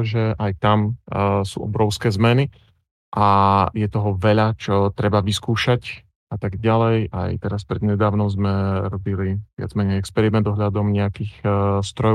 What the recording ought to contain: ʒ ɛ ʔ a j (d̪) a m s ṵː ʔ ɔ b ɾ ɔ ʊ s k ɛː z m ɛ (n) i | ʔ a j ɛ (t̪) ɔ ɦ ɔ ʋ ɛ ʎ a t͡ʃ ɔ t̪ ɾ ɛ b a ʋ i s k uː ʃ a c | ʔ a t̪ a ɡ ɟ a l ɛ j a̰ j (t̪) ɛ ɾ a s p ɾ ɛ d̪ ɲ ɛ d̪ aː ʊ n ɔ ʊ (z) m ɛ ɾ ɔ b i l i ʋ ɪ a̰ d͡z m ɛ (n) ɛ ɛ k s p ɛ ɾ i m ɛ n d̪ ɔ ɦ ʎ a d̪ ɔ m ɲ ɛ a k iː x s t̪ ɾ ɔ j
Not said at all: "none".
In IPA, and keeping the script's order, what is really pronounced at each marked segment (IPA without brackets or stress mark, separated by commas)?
t̪, n, t̪, t̪, z, ɲ